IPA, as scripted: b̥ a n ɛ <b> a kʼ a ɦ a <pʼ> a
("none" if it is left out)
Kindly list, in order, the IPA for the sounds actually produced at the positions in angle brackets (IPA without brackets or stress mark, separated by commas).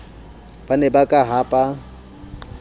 b, pʼ